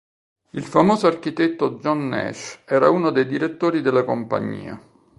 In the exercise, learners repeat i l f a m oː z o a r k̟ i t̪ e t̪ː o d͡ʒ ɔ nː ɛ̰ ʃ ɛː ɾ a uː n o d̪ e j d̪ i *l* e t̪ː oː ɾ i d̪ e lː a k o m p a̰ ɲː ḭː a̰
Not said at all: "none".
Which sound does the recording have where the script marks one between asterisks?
ɾ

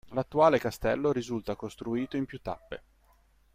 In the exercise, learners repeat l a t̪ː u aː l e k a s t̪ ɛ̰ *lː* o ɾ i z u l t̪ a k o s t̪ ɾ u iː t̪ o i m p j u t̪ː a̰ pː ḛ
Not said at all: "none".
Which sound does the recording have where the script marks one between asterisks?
lː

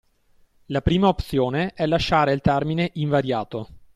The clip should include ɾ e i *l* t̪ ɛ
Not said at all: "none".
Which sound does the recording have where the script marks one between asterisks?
l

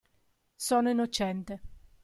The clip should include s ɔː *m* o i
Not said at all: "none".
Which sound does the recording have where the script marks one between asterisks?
n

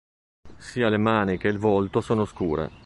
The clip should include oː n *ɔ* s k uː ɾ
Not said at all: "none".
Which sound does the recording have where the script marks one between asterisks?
o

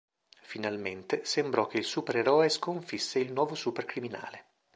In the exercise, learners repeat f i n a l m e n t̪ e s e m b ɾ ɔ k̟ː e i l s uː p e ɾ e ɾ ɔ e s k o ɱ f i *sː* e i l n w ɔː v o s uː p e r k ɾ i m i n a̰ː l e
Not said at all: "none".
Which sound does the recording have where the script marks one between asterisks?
sː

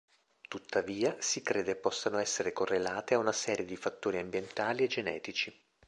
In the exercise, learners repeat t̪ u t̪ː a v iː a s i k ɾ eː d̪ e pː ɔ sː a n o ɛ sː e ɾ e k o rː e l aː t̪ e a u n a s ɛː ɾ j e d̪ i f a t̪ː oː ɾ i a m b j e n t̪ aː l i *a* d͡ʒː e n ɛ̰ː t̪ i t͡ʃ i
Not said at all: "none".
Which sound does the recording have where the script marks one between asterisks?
e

